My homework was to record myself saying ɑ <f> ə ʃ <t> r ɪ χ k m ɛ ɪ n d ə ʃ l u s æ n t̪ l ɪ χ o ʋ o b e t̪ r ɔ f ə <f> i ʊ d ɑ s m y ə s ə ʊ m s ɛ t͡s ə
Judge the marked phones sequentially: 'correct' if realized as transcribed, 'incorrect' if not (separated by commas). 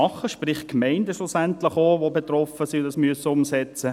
incorrect, incorrect, incorrect